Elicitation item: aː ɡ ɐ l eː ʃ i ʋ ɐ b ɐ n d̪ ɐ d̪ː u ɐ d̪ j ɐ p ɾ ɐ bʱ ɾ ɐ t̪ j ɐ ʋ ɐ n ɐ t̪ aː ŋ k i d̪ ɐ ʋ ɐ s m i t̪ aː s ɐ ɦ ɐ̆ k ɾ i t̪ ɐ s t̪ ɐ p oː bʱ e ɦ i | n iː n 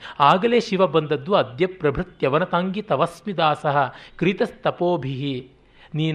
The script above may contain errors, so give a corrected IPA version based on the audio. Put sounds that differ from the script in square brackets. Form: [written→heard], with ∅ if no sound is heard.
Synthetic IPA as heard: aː ɡ ɐ l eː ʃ i ʋ ɐ b ɐ n d̪ ɐ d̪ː u ɐ d̪ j ɐ p ɾ ɐ bʱ ɾ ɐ t̪ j ɐ ʋ ɐ n ɐ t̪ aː ŋ [k→ɡ] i [d̪→t̪] ɐ ʋ ɐ s m i [t̪→d̪] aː s ɐ ɦ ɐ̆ k ɾ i t̪ ɐ s t̪ ɐ p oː bʱ [e→i] ɦ i | n iː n